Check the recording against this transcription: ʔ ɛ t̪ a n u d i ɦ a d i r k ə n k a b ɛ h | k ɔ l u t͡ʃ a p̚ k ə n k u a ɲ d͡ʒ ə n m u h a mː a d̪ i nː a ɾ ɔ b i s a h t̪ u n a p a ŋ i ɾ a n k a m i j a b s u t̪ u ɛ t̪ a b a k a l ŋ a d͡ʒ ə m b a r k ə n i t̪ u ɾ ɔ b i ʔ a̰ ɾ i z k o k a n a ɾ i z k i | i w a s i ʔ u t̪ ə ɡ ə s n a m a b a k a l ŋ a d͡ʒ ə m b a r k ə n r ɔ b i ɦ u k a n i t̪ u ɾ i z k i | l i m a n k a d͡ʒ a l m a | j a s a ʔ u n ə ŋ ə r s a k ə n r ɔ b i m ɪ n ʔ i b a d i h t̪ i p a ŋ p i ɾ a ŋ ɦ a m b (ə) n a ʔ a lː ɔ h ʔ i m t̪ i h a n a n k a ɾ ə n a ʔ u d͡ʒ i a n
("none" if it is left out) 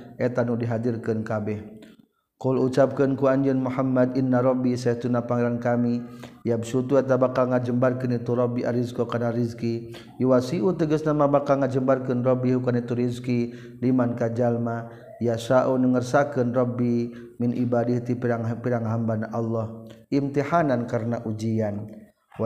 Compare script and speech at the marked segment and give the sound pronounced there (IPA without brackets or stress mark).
a